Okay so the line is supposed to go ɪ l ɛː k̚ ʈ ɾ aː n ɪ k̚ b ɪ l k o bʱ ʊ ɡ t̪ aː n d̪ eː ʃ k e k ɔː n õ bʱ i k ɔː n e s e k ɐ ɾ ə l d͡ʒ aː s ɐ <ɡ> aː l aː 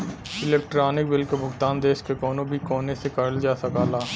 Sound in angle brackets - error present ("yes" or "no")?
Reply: yes